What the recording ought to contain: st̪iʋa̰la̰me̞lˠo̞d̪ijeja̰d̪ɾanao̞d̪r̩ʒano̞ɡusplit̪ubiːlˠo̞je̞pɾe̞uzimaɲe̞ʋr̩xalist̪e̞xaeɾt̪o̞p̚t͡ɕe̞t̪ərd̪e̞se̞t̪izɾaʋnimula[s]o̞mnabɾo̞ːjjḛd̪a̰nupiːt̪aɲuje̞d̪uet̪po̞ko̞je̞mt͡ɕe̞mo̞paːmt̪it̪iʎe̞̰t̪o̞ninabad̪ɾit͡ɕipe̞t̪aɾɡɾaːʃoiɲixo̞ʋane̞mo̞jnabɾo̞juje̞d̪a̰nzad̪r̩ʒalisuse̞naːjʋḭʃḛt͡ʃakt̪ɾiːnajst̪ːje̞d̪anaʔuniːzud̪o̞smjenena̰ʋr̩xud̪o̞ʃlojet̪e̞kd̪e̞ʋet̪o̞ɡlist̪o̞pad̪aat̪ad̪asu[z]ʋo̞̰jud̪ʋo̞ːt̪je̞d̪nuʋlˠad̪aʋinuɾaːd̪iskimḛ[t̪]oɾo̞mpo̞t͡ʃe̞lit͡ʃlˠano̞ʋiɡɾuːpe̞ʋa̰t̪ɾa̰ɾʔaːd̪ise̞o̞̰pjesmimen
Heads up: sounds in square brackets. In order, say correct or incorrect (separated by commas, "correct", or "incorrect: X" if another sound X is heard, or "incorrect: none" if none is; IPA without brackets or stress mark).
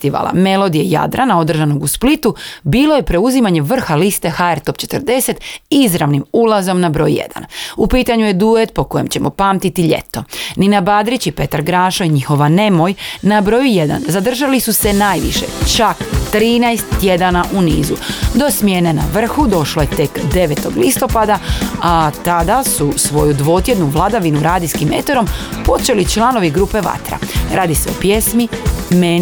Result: incorrect: z, incorrect: s, correct